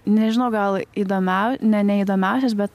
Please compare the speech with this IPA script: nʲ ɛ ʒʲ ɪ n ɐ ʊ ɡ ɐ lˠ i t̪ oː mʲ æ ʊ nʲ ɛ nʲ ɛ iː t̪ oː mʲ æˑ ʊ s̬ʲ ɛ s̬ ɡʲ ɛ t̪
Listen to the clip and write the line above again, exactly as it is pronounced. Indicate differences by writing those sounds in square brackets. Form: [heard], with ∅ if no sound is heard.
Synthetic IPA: nʲ ɛ ʒʲ ɪ n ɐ ʊ ɡ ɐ lˠ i [d̪] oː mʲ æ ʊ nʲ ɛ nʲ ɛ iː [d̪] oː mʲ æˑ ʊ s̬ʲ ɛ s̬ [bʲ] ɛ t̪